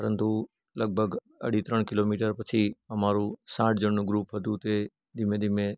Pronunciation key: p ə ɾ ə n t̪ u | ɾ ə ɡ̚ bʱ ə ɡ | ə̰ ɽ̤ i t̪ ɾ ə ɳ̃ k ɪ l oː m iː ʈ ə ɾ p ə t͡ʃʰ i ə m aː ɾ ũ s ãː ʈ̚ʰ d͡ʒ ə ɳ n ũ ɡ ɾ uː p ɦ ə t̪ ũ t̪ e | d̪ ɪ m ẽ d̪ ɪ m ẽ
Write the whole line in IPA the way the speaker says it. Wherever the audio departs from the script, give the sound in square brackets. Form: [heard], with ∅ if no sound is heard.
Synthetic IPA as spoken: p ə ɾ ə n t̪ u | [l] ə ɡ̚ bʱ ə ɡ | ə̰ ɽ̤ i t̪ ɾ ə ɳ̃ k ɪ l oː m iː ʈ ə ɾ p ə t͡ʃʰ i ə m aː ɾ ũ s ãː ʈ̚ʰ d͡ʒ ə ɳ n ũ ɡ ɾ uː p ɦ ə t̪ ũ t̪ e | d̪ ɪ m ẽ d̪ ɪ m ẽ